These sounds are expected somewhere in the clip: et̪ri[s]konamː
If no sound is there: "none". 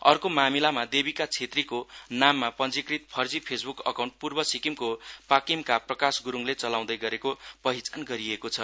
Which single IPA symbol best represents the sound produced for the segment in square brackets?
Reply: none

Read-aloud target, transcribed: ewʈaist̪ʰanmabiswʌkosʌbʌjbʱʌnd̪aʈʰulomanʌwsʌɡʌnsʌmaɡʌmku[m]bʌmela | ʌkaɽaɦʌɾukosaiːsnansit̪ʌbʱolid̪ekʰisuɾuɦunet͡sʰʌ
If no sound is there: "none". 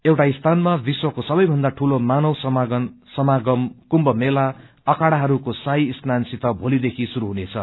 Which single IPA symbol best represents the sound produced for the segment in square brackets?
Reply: m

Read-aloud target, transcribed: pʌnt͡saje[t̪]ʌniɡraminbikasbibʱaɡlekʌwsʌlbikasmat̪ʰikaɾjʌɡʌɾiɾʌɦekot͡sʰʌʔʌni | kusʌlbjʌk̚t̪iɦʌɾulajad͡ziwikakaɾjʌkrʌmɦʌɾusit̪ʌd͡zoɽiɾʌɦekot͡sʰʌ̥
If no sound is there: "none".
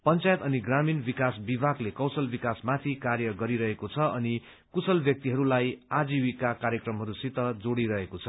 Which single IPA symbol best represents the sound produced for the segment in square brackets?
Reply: t̪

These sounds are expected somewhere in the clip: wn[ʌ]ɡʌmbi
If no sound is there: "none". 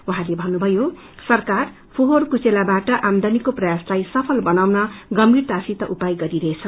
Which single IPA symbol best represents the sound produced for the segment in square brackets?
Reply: ʌ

